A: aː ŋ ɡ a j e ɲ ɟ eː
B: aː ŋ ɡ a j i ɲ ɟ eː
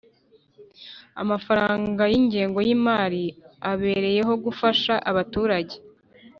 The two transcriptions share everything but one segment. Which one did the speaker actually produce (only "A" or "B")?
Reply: B